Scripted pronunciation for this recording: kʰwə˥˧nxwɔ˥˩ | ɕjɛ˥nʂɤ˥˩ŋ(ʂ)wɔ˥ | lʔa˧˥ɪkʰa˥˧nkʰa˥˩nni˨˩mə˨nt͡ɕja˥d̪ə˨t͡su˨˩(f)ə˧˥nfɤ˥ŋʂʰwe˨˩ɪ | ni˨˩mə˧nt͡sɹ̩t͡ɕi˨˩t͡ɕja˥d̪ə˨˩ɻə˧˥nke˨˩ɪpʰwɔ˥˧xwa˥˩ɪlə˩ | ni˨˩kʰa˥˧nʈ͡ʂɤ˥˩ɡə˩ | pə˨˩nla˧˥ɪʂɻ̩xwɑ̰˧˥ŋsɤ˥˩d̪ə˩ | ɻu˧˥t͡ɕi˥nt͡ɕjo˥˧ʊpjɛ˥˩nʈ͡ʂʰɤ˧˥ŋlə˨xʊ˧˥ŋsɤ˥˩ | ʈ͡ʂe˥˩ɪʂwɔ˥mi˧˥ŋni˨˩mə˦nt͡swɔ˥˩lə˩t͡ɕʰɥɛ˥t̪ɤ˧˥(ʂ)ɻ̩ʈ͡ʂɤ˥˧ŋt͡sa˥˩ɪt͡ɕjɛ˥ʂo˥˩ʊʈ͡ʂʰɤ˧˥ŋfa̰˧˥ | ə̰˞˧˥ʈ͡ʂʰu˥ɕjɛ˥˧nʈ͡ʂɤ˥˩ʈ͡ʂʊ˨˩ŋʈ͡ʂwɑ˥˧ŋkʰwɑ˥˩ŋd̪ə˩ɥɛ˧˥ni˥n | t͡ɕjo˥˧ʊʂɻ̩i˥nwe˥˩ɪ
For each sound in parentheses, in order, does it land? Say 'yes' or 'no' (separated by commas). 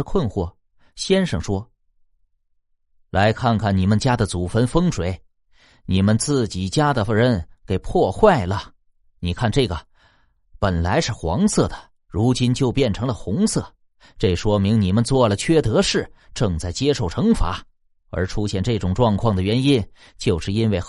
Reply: yes, yes, yes